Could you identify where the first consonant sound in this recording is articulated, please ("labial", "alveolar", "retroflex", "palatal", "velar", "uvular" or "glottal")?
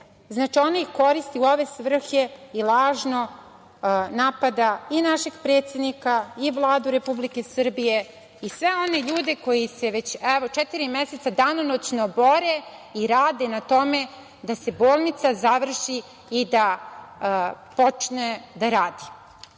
alveolar